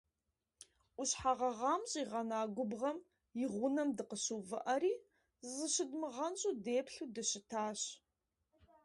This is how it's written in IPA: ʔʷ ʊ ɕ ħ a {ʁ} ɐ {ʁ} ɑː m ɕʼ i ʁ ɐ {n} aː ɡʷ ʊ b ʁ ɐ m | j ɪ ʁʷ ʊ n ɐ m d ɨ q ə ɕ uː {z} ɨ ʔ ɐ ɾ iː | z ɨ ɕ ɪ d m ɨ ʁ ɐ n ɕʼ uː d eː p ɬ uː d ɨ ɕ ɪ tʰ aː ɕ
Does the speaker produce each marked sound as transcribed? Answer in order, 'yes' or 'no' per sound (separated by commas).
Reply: yes, yes, yes, no